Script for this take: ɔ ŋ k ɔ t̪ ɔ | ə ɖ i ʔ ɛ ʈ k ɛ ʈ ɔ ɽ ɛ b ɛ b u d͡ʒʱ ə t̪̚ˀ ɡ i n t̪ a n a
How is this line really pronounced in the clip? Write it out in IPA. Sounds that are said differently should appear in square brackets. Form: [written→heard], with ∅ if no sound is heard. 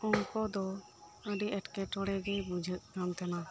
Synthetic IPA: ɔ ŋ k ɔ [t̪→d̪] ɔ | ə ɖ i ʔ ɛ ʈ k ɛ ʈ ɔ ɽ ɛ [b→ɡ] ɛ b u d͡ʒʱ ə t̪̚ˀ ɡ [i→a] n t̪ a n a